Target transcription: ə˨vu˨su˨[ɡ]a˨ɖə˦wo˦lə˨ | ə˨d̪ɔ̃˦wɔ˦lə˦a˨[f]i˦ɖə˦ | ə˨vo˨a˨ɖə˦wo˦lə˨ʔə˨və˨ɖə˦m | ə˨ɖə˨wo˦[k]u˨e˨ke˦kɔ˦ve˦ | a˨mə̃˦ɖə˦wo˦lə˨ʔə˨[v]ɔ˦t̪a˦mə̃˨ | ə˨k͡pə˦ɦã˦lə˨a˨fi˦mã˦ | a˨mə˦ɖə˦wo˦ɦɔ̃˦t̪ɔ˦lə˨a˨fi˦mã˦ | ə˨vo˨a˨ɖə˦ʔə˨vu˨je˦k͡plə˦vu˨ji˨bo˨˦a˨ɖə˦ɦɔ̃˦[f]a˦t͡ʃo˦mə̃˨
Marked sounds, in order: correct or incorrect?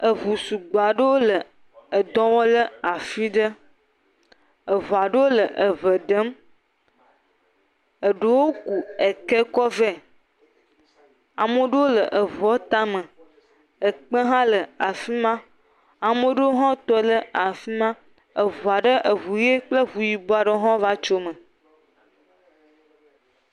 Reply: incorrect, correct, correct, correct, incorrect

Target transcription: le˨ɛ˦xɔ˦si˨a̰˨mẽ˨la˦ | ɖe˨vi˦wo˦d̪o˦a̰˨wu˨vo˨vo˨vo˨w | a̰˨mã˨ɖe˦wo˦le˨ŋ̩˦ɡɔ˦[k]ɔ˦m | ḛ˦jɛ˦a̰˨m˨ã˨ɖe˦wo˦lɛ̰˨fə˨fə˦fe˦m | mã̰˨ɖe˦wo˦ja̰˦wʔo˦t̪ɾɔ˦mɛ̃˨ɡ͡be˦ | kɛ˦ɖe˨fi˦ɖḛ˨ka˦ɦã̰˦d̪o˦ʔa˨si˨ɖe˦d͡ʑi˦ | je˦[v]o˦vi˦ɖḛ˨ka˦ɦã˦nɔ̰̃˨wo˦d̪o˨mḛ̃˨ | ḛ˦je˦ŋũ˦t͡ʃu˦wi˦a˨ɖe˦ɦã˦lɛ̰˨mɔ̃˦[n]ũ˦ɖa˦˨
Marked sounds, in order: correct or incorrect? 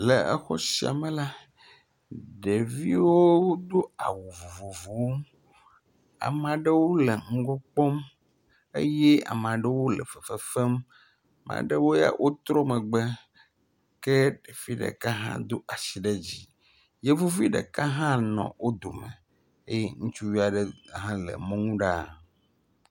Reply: incorrect, correct, incorrect

